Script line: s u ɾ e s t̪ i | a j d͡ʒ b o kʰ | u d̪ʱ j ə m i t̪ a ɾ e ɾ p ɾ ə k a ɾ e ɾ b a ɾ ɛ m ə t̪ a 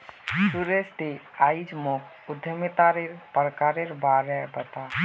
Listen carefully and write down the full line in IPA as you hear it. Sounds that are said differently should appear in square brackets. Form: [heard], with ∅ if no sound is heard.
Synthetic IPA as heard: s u ɾ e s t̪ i | a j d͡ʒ [m] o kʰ | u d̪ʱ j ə m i t̪ a ɾ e ɾ p ɾ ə k a ɾ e ɾ b a ɾ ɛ [b] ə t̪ a